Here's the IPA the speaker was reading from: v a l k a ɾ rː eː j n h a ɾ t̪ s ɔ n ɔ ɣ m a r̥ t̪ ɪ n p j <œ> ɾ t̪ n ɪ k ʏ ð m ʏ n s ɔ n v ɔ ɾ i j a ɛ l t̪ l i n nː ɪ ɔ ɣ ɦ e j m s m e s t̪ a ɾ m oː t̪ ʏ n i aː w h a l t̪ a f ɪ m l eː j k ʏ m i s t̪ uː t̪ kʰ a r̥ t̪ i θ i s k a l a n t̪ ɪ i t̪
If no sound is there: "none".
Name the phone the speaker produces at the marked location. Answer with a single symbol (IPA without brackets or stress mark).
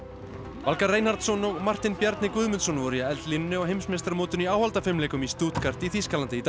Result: ɛ